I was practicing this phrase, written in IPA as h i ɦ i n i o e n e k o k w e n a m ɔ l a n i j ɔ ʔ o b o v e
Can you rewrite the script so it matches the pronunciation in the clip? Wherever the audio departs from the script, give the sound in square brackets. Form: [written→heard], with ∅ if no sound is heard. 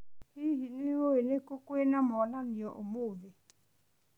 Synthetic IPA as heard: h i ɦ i n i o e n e k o k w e n a m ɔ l a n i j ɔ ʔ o [b→m] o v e